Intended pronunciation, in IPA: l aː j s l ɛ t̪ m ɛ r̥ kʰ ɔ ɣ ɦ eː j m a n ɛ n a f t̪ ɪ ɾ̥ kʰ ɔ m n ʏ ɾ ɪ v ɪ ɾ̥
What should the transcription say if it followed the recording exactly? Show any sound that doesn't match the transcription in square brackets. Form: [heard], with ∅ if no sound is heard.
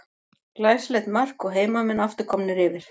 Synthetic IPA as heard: l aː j s l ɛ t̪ m [a] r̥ [k] ɔ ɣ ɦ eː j m a [m] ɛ n a f t̪ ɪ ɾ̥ kʰ ɔ m n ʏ ɾ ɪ v ɪ ɾ̥